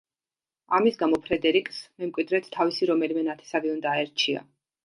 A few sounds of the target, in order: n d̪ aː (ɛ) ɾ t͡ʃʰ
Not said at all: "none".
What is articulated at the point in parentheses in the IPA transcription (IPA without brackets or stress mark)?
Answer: ɛ